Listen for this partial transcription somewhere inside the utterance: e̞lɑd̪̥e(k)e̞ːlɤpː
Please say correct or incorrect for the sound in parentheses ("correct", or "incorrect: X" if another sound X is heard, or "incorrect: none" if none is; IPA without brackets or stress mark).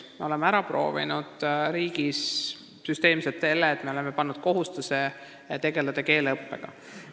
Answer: correct